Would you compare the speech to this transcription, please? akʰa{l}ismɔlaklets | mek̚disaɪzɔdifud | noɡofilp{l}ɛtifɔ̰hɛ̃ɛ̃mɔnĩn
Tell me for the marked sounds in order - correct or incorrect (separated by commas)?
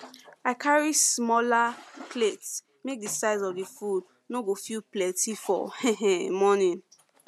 incorrect, correct